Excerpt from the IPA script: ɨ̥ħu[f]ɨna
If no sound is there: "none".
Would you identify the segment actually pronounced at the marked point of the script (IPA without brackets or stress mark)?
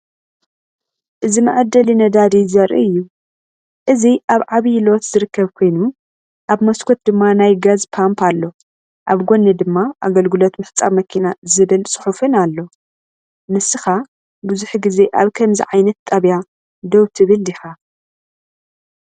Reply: f